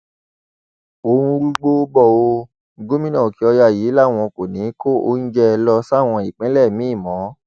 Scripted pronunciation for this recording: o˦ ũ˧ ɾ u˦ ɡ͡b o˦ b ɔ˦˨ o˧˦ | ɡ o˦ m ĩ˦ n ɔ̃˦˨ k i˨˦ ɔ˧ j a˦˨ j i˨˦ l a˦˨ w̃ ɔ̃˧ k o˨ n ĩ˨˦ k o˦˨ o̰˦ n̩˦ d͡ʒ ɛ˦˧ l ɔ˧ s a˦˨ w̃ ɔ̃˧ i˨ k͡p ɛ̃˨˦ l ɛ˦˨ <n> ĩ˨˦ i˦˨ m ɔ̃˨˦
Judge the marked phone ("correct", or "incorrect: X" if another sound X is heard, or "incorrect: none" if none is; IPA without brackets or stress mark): incorrect: m